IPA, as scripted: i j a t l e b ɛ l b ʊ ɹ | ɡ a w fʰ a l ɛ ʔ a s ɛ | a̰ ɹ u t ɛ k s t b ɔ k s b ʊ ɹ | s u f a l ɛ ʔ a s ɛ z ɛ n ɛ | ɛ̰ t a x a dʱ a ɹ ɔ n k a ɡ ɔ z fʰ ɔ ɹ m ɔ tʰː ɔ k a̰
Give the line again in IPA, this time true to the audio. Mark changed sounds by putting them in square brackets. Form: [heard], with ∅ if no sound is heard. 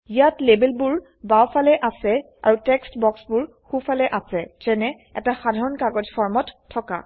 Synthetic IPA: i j a t l e b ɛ l b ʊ ɹ | [b] a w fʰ a l ɛ ʔ a s ɛ | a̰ ɹ u t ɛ k s t b ɔ k s b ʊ ɹ | [x] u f a l ɛ ʔ a s ɛ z ɛ n ɛ | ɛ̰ t a x a dʱ a ɹ ɔ n k a ɡ ɔ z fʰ ɔ ɹ m ɔ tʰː ɔ k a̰